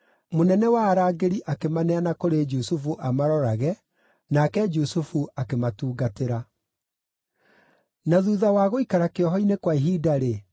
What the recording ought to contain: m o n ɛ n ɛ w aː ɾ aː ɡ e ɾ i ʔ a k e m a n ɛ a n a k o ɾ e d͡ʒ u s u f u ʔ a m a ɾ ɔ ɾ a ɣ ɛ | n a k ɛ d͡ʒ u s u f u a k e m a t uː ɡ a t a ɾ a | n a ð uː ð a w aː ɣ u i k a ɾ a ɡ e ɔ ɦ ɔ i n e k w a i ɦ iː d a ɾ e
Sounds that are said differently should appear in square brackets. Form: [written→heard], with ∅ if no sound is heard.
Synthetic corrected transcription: m o n ɛ n ɛ w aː ɾ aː ɡ e ɾ i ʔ a k e m a n ɛ a n a k o ɾ e d͡ʒ u s u f u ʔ a m a ɾ ɔ ɾ a ɣ ɛ | n a k ɛ d͡ʒ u s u f u a k e m a t uː ɡ a t [a→e] ɾ a | n a ð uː ð a w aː ɣ [u→o] i k a ɾ a [ɡ→k] e ɔ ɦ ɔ i n e k w a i ɦ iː d a ɾ e